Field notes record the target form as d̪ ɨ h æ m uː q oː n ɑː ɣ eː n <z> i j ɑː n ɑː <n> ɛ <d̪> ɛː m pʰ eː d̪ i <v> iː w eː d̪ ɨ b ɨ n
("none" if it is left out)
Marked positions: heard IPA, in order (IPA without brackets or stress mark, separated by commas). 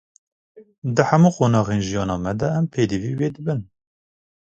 ʒ, m, d̪, v